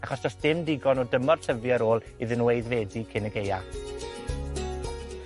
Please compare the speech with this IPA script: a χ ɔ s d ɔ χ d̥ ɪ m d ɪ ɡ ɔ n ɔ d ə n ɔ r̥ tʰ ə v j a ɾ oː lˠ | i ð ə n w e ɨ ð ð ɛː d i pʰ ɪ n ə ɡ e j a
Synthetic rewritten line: a χ ɔ s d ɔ s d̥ ɪ m d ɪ ɡ ɔ n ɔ d ə m ɔ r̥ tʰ ə v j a ɾ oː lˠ | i ð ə n w e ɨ ð v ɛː d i kʰ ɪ n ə ɡ e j a